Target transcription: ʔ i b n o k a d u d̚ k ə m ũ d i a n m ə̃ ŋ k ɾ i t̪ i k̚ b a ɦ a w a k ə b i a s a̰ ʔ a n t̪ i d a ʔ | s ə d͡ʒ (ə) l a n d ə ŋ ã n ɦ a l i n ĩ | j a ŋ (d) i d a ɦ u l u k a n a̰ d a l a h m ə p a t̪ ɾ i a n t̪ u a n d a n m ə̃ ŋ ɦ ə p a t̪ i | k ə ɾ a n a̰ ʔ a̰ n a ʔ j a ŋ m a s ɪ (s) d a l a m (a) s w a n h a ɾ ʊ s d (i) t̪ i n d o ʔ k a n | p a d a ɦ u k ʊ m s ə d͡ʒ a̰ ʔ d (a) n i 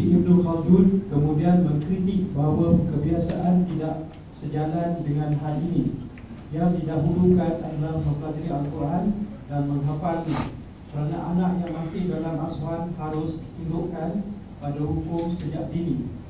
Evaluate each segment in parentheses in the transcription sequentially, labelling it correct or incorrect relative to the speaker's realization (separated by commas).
incorrect, correct, incorrect, correct, correct, incorrect